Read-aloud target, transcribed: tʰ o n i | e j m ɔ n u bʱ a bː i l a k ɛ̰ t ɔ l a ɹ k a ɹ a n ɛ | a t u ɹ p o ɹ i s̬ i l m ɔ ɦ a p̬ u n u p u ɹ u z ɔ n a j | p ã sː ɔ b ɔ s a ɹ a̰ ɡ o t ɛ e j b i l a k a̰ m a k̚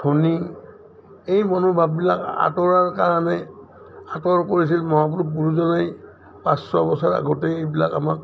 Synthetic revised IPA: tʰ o n i | e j m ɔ n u bʱ a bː i l a k a̰ t ɔ ɹ a ɹ k a ɹ a n ɛ | a t ɔ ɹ k o ɹ i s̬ i l m ɔ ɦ a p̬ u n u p u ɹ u z ɔ n a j | p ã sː ɔ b ɔ s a ɹ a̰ ɡ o t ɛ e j b i l a k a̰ m a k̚